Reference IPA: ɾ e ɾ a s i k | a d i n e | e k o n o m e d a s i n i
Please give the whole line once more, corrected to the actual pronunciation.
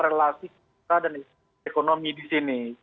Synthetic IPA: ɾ e l a s i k | a d a n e | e k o n o m i d i s i n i